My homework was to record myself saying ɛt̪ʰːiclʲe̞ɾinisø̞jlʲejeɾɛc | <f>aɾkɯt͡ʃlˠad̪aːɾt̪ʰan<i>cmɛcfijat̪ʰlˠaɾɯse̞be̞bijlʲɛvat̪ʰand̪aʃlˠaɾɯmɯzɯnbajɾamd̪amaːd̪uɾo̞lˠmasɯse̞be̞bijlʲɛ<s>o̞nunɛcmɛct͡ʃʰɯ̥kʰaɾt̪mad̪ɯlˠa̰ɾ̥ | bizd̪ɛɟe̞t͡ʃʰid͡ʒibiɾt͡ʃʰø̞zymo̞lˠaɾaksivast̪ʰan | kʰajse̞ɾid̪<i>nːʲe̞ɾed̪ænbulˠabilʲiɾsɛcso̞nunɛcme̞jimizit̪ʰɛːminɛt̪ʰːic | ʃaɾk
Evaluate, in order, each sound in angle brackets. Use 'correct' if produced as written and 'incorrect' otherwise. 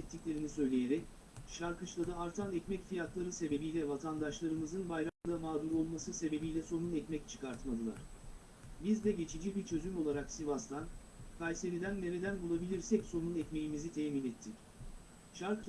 incorrect: ʃ, incorrect: ɛ, correct, incorrect: æ

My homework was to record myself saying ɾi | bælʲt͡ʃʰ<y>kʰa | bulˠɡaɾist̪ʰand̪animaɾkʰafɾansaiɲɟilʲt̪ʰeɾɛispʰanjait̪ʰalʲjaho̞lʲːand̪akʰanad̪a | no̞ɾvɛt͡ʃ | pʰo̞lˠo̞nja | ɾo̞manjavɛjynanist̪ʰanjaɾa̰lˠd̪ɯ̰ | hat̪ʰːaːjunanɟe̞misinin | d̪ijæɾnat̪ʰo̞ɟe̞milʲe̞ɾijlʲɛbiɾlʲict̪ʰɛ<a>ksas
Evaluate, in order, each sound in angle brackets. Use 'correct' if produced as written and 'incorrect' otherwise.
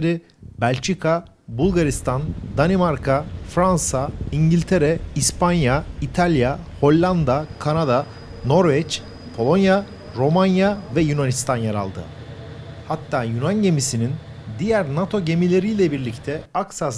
incorrect: i, correct

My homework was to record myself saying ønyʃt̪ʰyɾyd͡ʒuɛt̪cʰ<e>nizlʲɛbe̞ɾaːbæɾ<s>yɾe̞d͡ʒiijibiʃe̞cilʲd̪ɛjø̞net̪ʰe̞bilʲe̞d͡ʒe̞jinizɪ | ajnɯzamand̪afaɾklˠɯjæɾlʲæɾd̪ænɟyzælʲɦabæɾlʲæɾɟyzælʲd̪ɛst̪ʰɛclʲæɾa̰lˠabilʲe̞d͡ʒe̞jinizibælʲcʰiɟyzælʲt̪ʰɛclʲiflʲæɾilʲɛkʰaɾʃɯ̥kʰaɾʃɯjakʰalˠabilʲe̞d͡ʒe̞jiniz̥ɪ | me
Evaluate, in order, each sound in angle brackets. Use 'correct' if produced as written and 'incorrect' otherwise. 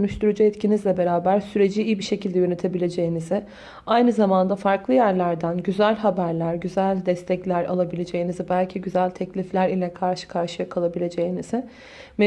incorrect: i, correct

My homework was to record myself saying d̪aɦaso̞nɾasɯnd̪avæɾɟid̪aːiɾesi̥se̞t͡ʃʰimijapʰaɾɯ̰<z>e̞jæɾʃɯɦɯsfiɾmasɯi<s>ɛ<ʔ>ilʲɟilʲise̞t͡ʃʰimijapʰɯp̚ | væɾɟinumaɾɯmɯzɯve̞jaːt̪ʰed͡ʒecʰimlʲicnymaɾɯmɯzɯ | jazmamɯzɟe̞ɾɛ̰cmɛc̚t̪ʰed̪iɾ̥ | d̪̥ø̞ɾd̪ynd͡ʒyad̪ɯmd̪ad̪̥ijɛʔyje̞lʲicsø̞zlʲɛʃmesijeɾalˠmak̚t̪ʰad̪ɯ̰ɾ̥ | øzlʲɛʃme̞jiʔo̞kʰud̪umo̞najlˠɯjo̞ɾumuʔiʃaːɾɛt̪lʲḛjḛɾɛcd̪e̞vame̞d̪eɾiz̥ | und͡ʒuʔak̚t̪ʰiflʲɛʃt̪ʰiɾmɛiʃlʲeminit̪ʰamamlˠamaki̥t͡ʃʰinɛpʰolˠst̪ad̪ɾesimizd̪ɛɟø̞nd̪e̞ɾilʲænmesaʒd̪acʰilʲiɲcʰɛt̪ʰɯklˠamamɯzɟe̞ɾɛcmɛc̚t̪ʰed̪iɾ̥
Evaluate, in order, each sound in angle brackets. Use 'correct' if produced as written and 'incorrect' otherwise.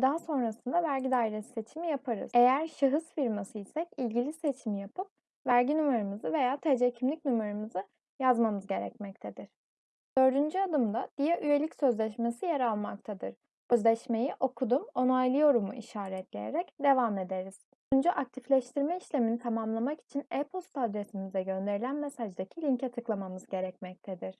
correct, correct, incorrect: c

